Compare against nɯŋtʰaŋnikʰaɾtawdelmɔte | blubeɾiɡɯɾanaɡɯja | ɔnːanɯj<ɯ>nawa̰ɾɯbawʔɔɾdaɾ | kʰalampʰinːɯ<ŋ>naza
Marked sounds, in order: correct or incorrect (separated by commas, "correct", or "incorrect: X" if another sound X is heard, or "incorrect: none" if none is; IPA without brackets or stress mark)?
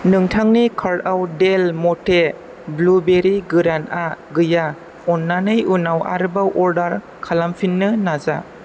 incorrect: u, incorrect: none